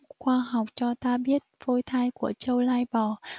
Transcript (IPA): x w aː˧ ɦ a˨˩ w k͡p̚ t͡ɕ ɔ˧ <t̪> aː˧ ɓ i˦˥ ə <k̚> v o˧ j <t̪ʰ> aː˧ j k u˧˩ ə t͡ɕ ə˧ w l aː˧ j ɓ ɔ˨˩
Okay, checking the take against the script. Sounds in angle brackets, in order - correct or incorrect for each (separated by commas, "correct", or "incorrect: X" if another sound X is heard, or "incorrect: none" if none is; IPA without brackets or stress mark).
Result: correct, incorrect: t̚, correct